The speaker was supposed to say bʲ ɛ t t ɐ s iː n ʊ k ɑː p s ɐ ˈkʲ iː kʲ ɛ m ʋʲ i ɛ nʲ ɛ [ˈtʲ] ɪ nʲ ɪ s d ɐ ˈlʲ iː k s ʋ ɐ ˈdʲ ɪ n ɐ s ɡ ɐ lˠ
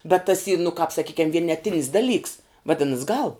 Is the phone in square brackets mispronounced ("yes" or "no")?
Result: no